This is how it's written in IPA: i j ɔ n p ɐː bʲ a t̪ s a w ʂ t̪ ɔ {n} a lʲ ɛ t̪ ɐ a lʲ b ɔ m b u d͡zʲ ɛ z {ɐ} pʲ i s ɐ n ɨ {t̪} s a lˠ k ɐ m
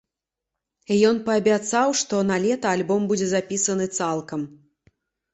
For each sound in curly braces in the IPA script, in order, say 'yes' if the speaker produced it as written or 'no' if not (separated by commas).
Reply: yes, no, yes